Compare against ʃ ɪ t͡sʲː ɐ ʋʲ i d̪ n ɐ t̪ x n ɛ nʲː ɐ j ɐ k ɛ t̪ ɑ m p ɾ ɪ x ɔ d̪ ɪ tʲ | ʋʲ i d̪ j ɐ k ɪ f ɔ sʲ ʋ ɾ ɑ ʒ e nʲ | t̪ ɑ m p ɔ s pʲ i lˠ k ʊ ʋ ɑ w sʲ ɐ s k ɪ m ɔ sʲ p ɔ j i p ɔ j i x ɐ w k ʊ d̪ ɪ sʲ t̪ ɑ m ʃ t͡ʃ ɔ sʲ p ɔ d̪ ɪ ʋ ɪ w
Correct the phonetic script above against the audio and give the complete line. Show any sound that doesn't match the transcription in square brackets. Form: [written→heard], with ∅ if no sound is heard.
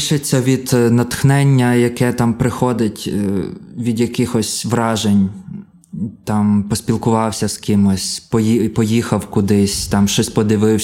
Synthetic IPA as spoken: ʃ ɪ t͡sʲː ɐ ʋʲ i d̪ n ɐ t̪ x n ɛ nʲː ɐ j ɐ k ɛ t̪ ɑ m p ɾ ɪ x ɔ d̪ ɪ tʲ | ʋʲ i d̪ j ɐ k ɪ [f→x] ɔ sʲ ʋ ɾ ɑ ʒ e nʲ | t̪ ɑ m p ɔ s pʲ i lˠ k ʊ ʋ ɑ w sʲ ɐ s k ɪ m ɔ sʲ p ɔ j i p ɔ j i x ɐ w k ʊ d̪ ɪ sʲ t̪ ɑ m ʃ t͡ʃ ɔ sʲ p ɔ d̪ ɪ ʋ ɪ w